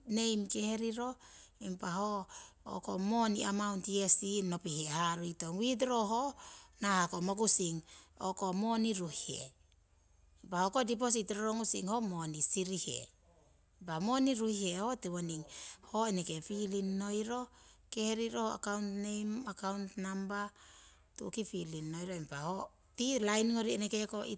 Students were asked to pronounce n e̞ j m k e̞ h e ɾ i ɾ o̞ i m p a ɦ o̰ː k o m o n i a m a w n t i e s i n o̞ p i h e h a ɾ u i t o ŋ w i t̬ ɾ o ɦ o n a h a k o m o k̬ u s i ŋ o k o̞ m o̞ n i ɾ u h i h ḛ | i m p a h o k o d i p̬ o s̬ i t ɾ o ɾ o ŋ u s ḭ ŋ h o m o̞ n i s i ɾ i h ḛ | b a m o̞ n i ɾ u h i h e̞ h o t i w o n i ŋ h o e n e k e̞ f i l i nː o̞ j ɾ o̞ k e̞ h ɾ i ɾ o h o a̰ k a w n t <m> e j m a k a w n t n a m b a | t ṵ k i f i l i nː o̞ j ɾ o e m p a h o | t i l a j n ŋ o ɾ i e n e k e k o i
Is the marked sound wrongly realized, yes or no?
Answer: yes